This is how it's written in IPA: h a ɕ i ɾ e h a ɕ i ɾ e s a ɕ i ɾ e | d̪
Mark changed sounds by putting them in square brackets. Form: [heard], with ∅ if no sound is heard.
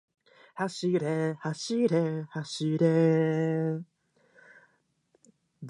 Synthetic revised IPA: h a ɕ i ɾ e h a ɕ i ɾ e [h] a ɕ i ɾ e | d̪